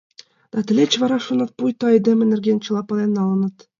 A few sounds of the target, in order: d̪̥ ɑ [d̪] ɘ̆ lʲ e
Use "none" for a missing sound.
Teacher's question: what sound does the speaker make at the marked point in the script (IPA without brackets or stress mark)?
t̪